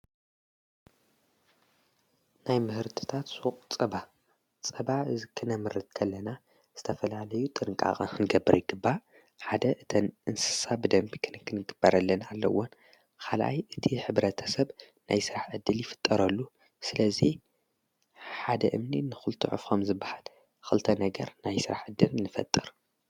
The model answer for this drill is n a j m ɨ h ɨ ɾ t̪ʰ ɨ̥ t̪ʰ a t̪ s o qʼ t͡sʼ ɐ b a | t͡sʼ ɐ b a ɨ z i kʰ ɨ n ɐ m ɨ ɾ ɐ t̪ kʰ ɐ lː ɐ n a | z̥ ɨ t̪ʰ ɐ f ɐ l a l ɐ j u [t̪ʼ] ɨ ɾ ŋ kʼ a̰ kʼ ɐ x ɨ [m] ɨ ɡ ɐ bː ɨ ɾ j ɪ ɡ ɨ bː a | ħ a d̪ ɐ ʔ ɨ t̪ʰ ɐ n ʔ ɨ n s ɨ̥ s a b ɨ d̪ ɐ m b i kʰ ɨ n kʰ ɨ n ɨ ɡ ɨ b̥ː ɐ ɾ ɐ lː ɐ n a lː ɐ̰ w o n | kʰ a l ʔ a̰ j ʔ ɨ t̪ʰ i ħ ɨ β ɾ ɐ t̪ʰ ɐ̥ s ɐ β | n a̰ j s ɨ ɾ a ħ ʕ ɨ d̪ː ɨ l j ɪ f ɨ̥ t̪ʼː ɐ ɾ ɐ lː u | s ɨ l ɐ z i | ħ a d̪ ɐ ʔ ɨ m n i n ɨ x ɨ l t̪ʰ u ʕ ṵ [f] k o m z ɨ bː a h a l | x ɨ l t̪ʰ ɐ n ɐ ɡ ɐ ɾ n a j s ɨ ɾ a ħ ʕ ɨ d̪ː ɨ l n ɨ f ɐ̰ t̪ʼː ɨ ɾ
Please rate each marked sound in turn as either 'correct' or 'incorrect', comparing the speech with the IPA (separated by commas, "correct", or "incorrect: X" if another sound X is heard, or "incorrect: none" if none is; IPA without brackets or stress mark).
correct, incorrect: n, correct